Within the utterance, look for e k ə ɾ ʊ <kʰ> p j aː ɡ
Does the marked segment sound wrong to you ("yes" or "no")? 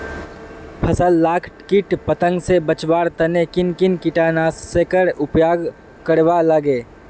yes